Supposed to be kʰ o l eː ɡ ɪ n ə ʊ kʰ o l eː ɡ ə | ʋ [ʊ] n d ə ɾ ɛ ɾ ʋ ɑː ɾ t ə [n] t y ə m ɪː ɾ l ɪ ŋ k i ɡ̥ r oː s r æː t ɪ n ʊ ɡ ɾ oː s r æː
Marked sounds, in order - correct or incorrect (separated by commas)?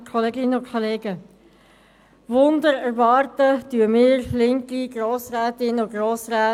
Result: correct, incorrect